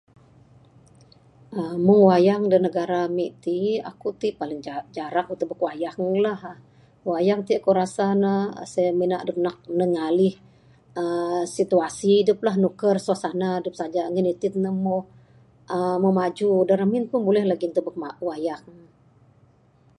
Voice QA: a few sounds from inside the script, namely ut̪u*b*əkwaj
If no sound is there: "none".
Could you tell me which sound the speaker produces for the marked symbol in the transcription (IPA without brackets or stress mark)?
b